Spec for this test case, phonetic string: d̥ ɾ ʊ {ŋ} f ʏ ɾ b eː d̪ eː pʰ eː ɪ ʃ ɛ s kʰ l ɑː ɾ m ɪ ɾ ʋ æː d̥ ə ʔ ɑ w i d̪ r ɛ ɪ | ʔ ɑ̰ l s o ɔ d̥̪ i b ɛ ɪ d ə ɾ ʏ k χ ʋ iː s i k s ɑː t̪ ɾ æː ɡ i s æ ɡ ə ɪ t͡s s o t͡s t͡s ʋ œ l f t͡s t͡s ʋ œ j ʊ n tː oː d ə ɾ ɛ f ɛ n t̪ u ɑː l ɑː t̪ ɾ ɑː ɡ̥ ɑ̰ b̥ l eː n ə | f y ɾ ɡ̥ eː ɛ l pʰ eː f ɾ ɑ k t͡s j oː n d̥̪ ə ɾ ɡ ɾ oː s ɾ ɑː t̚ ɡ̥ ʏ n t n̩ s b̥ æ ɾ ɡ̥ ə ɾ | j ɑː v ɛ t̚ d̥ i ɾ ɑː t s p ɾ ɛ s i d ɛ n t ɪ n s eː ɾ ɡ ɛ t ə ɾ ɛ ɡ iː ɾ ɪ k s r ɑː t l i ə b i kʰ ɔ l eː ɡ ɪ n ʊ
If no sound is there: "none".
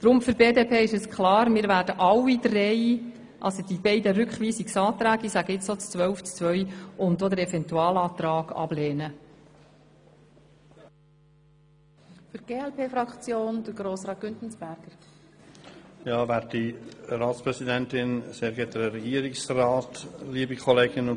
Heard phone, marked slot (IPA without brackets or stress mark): m